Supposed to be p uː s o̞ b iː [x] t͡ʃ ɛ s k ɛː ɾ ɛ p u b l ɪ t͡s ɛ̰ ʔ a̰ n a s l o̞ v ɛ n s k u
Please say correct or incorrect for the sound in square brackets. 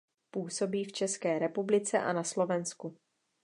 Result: incorrect